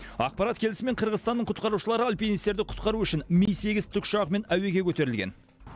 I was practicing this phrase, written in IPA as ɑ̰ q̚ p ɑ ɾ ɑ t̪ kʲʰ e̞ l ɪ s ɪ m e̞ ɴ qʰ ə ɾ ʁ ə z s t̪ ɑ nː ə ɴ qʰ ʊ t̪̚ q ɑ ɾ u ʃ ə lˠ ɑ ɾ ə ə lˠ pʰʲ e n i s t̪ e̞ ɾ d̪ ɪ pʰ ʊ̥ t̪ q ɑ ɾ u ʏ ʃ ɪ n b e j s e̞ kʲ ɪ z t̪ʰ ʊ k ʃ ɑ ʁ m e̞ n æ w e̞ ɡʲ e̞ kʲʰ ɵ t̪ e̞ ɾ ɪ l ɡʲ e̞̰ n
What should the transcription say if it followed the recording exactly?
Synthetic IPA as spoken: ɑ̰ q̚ p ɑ ɾ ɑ t̪ kʲʰ e̞ l ɪ s ɪ m e̞ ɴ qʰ ə ɾ ʁ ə z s t̪ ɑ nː ə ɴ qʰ ʊ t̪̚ q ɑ ɾ u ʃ ə lˠ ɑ ɾ ə ɑ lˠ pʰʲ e n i s t̪ e̞ ɾ d̪ ɪ qʰ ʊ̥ t̪ q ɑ ɾ u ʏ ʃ ɪ n m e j s e̞ ɡʲ ɪ z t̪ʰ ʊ k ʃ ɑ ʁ m e̞ n æ w e̞ ɡʲ e̞ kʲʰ ɵ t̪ e̞ ɾ ɪ l ɡʲ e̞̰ n